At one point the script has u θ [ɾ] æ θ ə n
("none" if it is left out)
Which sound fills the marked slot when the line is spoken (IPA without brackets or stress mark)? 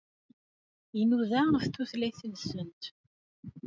l